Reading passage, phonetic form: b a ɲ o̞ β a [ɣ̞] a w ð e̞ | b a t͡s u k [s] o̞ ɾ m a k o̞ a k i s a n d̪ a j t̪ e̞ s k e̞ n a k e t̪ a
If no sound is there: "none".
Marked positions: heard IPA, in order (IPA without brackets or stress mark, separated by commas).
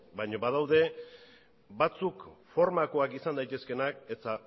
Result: ð̞, f